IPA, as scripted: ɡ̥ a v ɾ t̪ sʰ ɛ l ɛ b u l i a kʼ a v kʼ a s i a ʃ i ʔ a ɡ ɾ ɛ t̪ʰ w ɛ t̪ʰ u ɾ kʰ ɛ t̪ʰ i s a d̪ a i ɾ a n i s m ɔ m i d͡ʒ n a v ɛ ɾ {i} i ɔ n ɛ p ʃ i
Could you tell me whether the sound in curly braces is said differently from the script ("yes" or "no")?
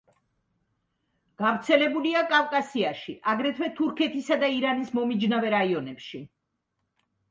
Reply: yes